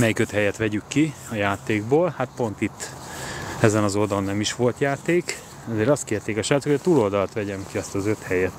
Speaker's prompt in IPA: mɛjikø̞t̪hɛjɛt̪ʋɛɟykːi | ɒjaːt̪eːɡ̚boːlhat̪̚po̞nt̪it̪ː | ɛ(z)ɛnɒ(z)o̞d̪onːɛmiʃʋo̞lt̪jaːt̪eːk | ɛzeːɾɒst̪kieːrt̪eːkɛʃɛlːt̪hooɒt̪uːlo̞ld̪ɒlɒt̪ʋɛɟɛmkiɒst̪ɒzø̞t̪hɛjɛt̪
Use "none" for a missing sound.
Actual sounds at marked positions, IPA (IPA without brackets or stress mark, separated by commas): z, z